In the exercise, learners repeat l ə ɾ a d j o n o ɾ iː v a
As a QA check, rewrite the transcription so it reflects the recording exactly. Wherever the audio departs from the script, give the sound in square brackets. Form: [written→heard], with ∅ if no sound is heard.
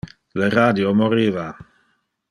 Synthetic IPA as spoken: l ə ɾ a d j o [n→m] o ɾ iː v a